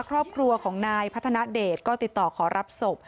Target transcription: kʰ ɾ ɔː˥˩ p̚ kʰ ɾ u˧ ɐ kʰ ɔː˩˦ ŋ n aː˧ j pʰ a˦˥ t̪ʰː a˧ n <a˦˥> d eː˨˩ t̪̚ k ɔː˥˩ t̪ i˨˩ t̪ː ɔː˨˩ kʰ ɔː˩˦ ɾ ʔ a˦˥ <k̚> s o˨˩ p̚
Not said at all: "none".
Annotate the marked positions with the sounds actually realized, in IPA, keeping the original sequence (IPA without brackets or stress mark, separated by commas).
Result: a˦˥, p̚